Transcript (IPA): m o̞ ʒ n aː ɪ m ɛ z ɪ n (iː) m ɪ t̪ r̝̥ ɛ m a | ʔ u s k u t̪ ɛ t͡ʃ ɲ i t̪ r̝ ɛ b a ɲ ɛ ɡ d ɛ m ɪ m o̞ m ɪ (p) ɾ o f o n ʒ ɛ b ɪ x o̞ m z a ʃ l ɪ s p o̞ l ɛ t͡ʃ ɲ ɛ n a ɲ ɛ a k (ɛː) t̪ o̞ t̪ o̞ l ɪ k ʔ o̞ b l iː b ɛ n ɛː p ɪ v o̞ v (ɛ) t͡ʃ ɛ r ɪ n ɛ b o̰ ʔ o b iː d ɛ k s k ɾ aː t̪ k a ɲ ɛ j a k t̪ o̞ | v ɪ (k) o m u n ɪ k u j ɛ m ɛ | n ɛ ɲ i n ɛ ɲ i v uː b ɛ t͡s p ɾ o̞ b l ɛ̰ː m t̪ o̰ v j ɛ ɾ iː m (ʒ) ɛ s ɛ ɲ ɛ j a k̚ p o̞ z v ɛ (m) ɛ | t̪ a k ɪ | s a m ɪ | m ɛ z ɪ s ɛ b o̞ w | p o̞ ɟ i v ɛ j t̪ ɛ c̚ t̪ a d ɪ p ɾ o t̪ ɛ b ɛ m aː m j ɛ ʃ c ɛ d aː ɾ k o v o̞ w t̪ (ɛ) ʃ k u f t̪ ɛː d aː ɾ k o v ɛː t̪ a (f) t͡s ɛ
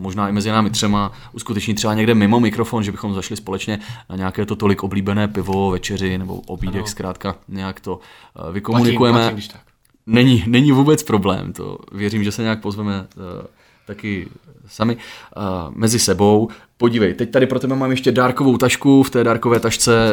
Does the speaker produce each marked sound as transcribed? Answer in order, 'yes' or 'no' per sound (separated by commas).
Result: no, no, yes, yes, yes, yes, yes, no, no